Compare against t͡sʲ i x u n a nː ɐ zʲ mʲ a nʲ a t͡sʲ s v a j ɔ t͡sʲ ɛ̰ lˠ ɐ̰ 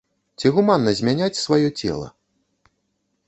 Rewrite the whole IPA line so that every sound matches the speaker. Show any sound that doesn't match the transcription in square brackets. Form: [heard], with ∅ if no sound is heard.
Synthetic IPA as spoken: t͡sʲ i [ɣ] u [m] a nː ɐ zʲ mʲ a nʲ a t͡sʲ s v a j ɔ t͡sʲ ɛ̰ lˠ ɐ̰